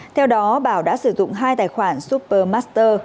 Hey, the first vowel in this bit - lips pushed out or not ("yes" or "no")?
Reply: no